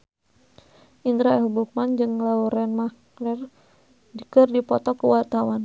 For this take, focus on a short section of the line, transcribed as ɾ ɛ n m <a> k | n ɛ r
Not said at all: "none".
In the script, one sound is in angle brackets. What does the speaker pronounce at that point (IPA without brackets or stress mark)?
a